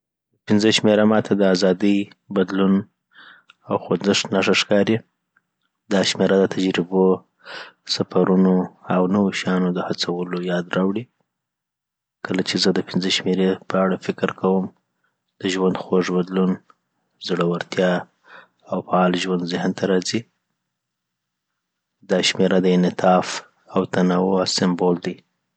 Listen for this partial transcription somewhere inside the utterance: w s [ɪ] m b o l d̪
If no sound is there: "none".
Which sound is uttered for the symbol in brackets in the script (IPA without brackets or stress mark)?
ɪ